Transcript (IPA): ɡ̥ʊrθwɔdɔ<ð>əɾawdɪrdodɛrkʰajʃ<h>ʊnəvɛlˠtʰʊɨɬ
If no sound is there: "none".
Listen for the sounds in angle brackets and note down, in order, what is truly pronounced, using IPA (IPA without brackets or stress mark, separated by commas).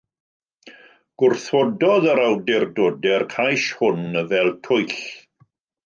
ð, h